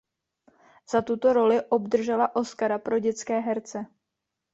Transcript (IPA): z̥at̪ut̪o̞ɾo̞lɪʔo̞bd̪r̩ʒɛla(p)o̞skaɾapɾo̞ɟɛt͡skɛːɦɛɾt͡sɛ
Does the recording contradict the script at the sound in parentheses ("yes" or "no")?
yes